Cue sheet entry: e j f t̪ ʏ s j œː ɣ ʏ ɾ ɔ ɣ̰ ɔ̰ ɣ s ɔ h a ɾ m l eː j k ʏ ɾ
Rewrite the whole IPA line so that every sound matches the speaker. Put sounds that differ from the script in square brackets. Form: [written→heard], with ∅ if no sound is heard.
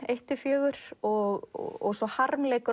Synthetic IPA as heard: e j [f→h] t̪ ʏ [s→f] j œː ɣ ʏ ɾ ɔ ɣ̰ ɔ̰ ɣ s ɔ h a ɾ m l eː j k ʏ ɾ